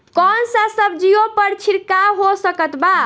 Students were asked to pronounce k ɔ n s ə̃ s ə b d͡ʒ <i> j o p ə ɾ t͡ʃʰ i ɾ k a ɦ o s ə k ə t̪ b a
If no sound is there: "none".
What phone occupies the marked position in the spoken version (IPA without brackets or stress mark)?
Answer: i